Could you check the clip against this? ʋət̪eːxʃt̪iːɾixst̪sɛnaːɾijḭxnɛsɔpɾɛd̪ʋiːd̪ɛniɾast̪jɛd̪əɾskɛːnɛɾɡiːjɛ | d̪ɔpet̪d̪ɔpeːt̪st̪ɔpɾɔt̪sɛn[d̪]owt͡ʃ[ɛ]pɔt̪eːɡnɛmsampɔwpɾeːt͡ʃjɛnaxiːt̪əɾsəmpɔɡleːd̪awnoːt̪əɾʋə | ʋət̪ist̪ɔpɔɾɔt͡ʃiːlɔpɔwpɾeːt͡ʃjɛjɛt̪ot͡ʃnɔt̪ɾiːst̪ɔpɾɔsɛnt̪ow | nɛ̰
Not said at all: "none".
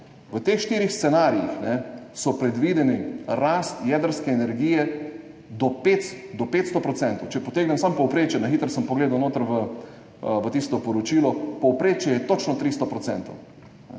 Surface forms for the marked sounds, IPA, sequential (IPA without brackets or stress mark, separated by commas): t̪, ɛ